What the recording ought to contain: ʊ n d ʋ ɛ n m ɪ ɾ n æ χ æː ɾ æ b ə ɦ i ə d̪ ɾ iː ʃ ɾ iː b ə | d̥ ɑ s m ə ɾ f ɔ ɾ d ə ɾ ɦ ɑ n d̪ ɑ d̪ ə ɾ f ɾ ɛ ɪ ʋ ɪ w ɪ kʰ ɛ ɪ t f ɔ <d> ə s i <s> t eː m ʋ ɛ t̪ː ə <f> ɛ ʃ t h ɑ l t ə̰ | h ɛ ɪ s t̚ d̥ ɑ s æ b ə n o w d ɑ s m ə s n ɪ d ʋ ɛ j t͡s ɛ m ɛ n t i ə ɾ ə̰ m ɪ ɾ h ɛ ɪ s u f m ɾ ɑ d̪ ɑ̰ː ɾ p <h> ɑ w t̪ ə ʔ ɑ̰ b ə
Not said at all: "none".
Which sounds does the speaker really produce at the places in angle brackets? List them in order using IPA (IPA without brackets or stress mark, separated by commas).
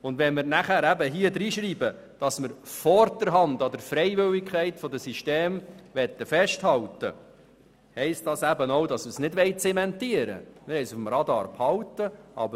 d, ʃ, f, h